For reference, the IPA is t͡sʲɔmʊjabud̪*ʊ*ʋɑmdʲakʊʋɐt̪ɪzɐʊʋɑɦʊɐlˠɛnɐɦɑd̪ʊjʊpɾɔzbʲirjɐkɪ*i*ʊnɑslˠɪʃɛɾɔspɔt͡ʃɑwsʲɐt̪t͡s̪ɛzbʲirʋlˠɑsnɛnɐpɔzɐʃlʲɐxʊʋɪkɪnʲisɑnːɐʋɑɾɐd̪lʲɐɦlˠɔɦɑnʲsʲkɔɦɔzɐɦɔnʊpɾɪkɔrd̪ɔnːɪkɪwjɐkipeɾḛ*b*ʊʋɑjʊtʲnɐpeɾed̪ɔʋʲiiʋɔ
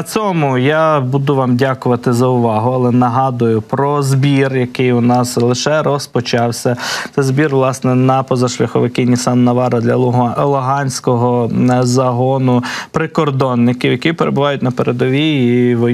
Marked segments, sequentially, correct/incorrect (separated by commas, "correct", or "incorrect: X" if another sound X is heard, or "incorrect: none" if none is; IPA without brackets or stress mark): correct, incorrect: j, correct